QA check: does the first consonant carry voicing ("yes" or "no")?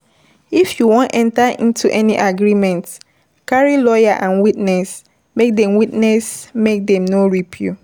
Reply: no